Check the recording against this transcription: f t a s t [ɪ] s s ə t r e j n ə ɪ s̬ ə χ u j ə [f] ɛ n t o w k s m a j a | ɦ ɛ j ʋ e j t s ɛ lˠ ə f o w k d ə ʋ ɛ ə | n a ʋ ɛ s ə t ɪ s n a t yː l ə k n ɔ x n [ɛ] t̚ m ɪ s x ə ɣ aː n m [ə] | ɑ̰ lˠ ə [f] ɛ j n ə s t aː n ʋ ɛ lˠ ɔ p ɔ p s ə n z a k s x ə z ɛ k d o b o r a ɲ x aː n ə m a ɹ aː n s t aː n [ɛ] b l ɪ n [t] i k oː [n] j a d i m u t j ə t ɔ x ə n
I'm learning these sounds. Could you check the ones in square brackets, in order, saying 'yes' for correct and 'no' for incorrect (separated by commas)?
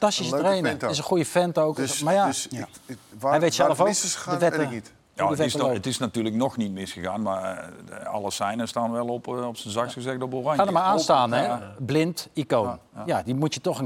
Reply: no, yes, no, no, no, yes, yes, yes